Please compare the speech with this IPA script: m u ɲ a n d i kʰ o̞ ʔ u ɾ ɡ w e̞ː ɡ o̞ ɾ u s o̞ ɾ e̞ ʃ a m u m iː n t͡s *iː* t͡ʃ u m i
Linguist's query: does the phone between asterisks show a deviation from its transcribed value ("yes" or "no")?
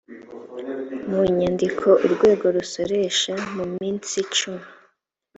yes